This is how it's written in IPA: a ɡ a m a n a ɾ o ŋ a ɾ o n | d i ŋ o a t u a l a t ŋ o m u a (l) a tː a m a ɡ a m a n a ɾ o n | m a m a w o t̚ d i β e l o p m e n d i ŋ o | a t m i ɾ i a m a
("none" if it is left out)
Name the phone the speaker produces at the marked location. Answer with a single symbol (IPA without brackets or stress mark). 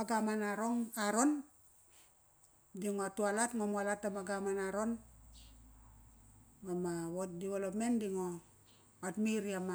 l